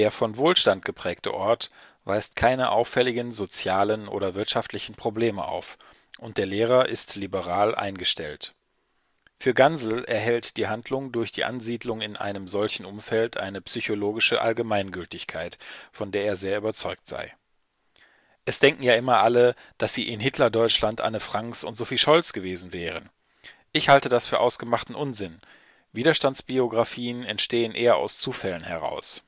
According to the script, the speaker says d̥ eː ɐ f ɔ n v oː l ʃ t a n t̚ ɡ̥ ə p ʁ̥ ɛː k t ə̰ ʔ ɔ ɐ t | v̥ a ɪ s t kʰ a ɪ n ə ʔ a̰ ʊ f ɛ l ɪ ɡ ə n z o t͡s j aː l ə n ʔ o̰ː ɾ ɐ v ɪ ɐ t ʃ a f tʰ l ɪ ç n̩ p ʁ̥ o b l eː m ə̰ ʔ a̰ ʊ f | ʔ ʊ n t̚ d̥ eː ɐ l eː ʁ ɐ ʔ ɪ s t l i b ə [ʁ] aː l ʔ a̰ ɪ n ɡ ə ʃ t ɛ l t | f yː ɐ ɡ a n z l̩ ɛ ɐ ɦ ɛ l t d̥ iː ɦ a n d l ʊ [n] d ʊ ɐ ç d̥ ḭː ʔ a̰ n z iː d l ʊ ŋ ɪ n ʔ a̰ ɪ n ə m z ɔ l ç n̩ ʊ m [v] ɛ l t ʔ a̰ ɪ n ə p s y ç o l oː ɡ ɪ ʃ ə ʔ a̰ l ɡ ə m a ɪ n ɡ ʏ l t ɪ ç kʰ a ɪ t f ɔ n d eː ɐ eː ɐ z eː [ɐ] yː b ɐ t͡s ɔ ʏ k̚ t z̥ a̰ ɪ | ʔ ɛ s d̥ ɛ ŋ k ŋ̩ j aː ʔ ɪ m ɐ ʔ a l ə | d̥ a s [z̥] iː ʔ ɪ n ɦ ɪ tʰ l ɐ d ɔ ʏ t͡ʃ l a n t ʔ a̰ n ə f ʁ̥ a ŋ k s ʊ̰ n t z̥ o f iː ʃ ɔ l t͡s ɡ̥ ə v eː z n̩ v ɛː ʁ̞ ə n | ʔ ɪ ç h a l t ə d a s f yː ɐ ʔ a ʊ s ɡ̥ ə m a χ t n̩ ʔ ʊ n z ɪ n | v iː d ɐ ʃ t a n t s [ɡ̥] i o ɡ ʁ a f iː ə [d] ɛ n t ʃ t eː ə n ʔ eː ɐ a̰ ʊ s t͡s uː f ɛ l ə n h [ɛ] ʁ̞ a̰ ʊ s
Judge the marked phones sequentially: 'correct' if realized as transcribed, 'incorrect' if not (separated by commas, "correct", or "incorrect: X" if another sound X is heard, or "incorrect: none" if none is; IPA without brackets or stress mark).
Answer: correct, incorrect: ŋ, incorrect: f, correct, correct, incorrect: b̥, incorrect: n, correct